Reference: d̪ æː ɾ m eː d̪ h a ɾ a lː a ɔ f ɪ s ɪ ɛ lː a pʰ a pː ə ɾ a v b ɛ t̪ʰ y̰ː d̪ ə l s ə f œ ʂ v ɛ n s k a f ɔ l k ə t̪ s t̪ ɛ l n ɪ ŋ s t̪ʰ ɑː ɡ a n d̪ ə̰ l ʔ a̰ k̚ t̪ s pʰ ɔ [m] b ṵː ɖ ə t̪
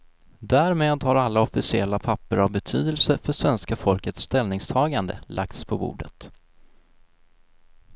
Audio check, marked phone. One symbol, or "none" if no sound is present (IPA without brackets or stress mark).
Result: none